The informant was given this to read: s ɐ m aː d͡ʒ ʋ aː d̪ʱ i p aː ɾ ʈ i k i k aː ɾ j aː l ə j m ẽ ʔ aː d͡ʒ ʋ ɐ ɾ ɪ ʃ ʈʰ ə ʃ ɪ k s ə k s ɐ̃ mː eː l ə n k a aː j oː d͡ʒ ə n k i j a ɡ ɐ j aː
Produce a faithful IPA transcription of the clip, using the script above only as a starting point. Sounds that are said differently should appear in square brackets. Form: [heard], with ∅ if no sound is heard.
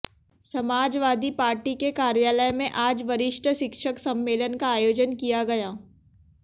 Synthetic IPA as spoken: s ɐ m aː d͡ʒ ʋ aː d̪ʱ i p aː ɾ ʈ i k [e] k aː ɾ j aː l ə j m ẽ ʔ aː d͡ʒ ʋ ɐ ɾ ɪ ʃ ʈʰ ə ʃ ɪ k [ʃ] ə k s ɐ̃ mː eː l ə n k a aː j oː d͡ʒ ə n k i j a ɡ ɐ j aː